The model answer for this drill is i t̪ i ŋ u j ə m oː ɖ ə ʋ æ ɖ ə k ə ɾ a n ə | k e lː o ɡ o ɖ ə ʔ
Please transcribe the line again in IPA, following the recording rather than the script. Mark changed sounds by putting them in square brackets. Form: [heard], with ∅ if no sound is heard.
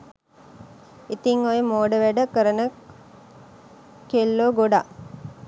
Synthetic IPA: i t̪ i ŋ [o] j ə m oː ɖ ə ʋ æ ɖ ə k ə ɾ [ə] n ə | k e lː o ɡ o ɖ [a] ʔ